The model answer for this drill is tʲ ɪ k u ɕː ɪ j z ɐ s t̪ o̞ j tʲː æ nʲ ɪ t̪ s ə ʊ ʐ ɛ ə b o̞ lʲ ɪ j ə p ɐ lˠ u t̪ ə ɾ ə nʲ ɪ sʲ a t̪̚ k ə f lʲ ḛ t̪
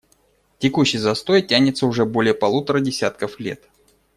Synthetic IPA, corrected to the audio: tʲ ɪ k u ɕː ɪ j z ɐ s t̪ o̞ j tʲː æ nʲ ɪ t̪ s ə ʊ ʐ ɛ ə b o̞ lʲ ɪ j ə p ɐ lˠ u t̪ ə ɾ ə dʲ ɪ sʲ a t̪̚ k ə f lʲ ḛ t̪